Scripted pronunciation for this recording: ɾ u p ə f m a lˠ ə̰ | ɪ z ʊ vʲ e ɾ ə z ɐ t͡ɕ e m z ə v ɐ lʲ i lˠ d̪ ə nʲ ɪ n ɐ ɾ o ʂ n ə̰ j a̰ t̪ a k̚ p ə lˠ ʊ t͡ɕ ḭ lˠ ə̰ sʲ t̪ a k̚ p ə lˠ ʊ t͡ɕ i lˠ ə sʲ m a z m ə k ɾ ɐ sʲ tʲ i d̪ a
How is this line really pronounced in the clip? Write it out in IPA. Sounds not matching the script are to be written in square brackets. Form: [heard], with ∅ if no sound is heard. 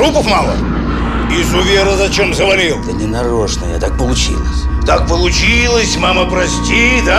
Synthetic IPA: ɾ u p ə f m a lˠ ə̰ | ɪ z ʊ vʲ e ɾ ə z ɐ t͡ɕ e m z ə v ɐ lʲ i lˠ d̪ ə nʲ ɪ n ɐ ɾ o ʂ n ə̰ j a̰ t̪ a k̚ p ə lˠ ʊ t͡ɕ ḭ lˠ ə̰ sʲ t̪ a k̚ p ə lˠ ʊ t͡ɕ i lˠ ə sʲ m a [∅] m ə [p] ɾ ɐ sʲ tʲ i d̪ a